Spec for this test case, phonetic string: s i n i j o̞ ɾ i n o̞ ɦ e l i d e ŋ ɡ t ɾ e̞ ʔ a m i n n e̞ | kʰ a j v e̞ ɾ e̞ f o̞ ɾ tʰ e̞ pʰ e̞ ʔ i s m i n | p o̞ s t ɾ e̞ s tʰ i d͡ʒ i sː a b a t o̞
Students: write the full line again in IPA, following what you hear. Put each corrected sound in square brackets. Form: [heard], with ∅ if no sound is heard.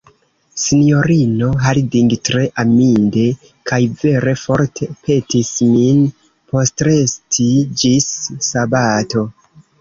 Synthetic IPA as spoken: s i n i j o̞ ɾ i n o̞ ɦ [a] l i d [i] ŋ ɡ t ɾ e̞ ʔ a m i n [d] e̞ | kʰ a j v e̞ ɾ e̞ f o̞ ɾ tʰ e̞ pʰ e̞ [t] i s m i n | p o̞ s t ɾ e̞ s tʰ i d͡ʒ i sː a b a t o̞